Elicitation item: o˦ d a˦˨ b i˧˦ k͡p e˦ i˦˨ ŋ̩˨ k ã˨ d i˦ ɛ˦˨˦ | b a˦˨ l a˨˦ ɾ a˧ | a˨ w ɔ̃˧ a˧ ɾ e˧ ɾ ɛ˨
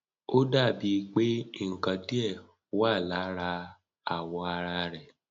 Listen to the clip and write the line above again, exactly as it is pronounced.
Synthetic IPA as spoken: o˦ d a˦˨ b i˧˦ k͡p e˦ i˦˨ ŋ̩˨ k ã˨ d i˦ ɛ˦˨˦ | w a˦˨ l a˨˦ ɾ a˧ | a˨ w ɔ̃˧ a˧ ɾ a˧ ɾ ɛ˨